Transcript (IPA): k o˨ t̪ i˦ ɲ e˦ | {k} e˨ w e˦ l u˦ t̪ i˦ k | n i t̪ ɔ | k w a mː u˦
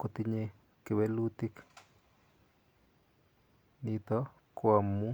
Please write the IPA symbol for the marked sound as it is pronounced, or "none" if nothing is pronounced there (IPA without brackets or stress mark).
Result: k